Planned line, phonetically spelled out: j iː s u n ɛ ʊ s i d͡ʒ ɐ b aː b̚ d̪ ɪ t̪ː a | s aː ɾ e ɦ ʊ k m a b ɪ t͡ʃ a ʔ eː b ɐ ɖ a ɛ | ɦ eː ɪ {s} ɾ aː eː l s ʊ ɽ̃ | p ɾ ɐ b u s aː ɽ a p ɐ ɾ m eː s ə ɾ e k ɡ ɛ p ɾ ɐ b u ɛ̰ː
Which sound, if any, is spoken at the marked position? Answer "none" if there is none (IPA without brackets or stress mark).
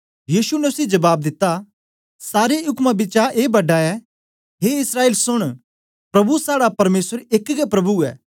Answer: s